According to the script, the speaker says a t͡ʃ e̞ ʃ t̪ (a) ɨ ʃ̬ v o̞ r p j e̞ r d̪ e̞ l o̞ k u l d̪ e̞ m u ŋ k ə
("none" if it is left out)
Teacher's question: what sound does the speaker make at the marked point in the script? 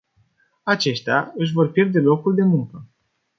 a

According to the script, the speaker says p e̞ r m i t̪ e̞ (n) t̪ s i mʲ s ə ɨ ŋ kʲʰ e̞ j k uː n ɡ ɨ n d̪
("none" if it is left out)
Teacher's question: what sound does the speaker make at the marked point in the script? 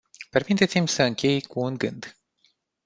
none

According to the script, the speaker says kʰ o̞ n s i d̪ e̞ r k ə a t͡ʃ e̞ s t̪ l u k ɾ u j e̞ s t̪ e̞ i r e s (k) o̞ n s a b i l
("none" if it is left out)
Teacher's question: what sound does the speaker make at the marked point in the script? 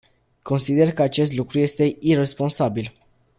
p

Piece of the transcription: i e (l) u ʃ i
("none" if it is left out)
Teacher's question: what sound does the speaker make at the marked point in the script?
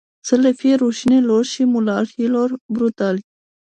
ɾ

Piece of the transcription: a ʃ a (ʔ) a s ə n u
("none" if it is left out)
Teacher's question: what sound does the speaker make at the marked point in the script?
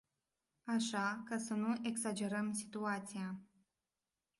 k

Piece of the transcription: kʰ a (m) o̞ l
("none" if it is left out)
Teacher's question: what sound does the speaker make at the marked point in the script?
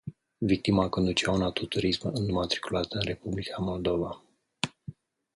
m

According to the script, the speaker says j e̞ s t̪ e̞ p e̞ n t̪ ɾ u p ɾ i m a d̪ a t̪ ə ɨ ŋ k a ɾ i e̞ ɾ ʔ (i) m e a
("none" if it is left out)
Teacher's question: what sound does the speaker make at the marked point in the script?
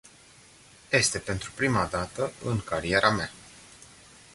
a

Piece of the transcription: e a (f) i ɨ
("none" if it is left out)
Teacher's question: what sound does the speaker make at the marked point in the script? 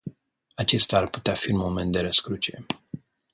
f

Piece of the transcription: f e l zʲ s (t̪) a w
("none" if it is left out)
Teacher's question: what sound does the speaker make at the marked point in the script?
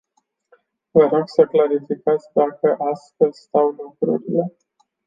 t̪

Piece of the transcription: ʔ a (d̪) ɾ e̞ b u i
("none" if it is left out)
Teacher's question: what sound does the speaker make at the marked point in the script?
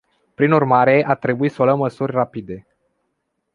t̪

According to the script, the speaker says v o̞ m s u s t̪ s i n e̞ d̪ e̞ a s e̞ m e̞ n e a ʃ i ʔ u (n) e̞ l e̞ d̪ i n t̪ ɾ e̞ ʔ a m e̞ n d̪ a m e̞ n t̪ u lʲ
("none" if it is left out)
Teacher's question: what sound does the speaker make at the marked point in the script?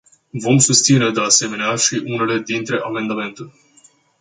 n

